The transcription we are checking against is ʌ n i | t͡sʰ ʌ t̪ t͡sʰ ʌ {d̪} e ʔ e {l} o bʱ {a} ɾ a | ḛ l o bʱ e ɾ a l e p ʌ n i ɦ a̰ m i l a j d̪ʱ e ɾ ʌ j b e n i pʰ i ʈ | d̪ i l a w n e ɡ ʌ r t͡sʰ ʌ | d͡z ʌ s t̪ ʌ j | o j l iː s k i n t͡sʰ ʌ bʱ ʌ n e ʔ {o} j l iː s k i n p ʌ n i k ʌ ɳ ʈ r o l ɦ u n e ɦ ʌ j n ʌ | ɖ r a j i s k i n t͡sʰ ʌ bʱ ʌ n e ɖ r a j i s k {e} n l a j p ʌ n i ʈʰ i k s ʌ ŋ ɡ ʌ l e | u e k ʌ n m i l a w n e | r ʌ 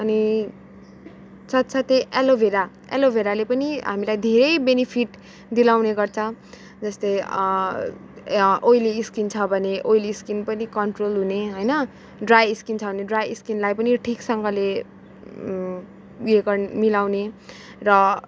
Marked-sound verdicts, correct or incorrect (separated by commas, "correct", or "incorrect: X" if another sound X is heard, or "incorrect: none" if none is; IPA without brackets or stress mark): incorrect: t̪, correct, incorrect: e, correct, incorrect: i